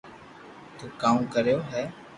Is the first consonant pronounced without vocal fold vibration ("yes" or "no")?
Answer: yes